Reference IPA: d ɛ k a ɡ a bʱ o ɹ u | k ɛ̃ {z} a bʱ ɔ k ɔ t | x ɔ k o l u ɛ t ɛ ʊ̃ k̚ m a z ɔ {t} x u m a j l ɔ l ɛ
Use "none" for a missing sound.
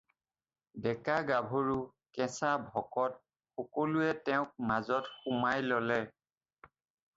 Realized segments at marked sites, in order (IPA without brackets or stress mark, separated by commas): s, t